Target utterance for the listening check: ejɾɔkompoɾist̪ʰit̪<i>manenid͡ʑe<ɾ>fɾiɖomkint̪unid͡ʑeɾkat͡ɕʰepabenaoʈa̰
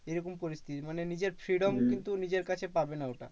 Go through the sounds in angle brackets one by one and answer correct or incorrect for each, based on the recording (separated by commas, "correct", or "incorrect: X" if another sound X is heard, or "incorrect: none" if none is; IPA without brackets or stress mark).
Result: correct, correct